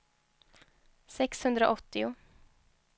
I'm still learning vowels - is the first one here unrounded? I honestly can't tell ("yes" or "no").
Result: yes